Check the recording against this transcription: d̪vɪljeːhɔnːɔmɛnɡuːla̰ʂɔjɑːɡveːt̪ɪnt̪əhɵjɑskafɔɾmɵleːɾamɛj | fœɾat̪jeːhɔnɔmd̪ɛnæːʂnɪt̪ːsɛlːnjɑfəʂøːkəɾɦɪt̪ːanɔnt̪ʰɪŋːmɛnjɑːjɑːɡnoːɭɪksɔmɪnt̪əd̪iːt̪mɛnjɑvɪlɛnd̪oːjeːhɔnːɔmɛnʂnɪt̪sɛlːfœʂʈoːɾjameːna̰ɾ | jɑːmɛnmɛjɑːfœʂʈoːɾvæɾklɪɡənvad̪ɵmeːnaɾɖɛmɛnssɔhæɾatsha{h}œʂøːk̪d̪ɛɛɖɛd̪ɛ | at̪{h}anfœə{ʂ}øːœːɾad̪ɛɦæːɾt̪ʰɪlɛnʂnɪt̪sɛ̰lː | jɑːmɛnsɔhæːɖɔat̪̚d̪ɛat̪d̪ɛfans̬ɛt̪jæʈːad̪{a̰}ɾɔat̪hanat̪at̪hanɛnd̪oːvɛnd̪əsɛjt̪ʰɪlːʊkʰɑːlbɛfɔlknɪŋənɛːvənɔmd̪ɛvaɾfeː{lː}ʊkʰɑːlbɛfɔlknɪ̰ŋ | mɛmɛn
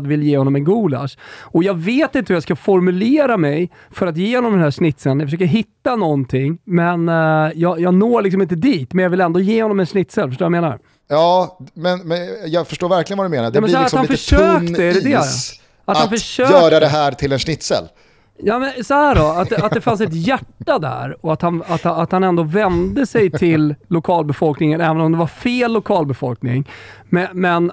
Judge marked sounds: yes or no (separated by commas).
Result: no, yes, yes, no, yes